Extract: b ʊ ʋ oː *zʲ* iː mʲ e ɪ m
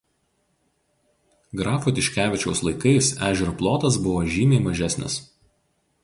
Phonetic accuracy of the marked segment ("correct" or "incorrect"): incorrect